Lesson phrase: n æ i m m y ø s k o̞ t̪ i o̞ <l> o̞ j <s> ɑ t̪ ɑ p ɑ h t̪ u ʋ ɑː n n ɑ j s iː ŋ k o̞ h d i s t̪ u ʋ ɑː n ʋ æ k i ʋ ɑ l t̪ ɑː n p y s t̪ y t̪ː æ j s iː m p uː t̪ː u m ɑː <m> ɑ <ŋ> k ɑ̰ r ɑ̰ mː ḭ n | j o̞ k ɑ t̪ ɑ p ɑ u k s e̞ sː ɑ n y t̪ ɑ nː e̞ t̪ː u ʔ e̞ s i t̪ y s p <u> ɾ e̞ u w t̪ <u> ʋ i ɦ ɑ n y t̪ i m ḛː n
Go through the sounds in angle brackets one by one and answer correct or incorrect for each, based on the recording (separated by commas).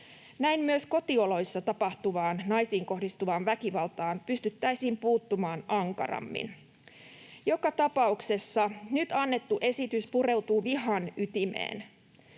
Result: correct, incorrect, incorrect, correct, correct, incorrect